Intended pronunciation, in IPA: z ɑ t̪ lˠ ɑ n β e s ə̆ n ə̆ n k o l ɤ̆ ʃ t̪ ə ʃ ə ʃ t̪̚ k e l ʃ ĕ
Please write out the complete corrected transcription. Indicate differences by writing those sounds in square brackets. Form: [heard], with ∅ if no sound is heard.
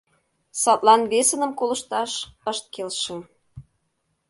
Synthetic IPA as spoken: [s] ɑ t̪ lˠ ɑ n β e s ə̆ n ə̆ [m] k o l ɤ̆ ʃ t̪ [ɑ] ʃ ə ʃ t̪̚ k e l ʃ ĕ